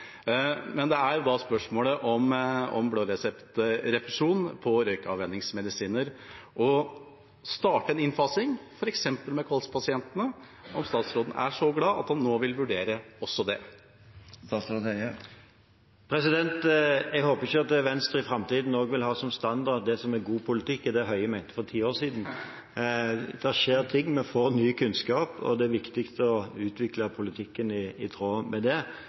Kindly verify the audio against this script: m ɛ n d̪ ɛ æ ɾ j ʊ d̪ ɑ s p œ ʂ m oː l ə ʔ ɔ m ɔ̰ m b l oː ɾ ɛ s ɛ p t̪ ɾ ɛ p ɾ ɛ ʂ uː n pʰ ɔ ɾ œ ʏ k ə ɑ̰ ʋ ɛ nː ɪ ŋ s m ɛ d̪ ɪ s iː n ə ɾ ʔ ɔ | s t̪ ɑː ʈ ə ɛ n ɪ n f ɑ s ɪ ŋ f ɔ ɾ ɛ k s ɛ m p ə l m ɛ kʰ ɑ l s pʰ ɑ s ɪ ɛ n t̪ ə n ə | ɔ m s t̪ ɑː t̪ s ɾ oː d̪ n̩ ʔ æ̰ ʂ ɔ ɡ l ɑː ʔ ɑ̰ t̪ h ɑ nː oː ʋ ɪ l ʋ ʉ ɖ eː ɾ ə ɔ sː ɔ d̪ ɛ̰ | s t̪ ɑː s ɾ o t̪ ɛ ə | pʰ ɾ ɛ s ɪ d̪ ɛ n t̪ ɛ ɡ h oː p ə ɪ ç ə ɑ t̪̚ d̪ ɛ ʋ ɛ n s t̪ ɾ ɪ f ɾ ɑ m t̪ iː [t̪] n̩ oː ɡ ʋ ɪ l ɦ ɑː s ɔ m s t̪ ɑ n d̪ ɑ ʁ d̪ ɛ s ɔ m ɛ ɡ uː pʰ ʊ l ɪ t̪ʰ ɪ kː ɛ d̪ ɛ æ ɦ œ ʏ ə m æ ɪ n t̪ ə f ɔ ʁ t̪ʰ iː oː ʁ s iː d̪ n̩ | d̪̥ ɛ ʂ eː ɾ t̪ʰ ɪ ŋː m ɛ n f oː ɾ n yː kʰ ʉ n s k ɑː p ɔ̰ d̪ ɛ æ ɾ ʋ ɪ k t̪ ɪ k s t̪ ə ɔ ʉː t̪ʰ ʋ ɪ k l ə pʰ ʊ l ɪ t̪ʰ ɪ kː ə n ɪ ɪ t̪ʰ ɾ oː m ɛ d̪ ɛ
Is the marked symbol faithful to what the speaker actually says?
no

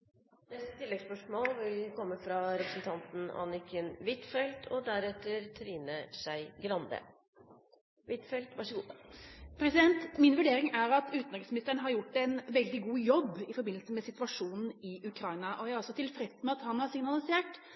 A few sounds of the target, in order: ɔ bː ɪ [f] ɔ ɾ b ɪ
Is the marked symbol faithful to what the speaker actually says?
yes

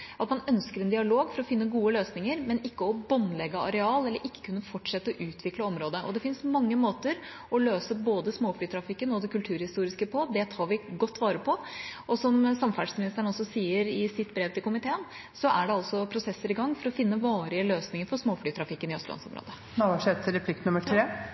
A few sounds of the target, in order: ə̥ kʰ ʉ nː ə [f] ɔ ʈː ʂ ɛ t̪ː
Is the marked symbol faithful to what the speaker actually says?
yes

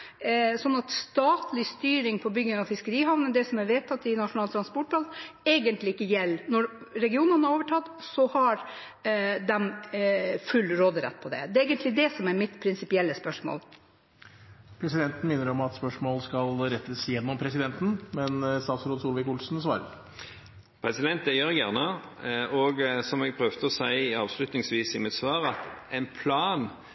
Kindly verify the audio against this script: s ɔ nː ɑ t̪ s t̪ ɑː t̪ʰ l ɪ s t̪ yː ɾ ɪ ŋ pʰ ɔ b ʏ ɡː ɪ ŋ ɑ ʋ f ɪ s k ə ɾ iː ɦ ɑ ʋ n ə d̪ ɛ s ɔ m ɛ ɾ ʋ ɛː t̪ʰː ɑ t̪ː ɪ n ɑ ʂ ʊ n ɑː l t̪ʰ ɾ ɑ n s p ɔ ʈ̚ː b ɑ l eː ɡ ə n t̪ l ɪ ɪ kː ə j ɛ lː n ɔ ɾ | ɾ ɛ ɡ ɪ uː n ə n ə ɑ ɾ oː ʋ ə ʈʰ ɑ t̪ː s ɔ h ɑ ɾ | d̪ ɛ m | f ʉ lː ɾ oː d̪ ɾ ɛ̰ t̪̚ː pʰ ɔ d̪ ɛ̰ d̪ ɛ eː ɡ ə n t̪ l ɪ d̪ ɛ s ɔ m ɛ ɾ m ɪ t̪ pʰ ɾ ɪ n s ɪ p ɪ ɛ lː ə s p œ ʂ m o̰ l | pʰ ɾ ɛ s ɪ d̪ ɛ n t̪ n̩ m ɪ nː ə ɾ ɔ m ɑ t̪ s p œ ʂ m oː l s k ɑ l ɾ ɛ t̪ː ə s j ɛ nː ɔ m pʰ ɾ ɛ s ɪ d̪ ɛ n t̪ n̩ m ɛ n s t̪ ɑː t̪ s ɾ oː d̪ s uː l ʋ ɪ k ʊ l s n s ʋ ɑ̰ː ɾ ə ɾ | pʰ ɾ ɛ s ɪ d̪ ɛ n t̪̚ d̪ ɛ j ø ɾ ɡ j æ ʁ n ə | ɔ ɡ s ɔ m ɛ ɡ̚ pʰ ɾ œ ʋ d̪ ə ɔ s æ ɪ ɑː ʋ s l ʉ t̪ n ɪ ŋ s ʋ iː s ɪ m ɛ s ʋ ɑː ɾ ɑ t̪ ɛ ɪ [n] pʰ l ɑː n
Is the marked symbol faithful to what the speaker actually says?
yes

